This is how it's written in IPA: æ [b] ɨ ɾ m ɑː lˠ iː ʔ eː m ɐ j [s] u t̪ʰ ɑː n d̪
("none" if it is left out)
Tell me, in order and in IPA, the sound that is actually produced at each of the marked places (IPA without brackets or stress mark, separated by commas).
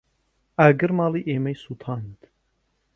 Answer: ɡ, s